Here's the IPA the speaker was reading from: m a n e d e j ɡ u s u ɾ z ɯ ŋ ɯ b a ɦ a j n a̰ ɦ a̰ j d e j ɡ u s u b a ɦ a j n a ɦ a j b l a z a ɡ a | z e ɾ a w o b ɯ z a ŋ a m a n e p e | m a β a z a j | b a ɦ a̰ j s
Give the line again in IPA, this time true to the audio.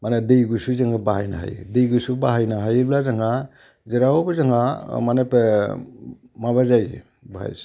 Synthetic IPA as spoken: m a n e d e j ɡ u s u z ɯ ŋ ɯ b a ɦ a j n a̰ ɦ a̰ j d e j ɡ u s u b a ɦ a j n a ɦ a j b l a z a ŋ a | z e ɾ a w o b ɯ z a ŋ a m a n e p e | m a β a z a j | b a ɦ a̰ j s